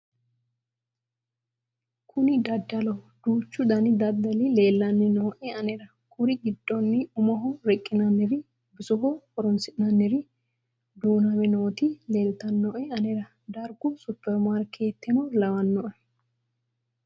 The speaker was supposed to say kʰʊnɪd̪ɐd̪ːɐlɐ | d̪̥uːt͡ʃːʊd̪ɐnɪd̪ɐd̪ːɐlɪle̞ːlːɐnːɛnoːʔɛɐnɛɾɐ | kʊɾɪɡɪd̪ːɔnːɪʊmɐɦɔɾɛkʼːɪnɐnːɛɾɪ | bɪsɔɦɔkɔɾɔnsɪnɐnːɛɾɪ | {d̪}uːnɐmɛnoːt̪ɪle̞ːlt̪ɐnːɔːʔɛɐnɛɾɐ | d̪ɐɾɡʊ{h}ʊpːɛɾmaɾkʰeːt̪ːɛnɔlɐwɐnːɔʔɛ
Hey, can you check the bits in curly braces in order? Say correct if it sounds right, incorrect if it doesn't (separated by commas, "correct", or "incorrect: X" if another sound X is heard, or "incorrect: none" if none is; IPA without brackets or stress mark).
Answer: correct, incorrect: s